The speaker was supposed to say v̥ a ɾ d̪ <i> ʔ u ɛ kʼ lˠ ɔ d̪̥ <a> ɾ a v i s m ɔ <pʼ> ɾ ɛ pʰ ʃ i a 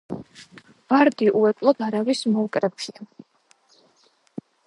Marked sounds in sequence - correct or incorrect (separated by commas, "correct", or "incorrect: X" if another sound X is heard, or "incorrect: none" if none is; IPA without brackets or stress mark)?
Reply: correct, correct, incorrect: kʼ